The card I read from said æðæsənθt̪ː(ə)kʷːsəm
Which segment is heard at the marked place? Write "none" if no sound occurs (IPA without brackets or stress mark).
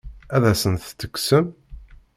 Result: ə